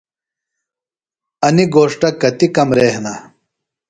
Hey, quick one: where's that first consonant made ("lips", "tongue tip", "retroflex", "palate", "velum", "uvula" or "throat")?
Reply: tongue tip